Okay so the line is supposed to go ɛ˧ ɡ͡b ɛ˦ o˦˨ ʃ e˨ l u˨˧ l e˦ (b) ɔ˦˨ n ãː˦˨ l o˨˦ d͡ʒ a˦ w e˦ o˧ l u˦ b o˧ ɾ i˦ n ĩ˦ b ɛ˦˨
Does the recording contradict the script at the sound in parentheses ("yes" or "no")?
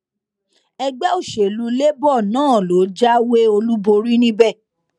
no